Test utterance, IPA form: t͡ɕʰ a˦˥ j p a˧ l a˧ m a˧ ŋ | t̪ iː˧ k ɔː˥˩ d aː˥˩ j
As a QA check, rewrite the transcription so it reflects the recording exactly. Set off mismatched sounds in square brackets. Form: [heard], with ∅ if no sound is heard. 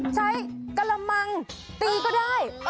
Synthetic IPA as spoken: t͡ɕʰ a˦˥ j [k] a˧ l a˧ m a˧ ŋ | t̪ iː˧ k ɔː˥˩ d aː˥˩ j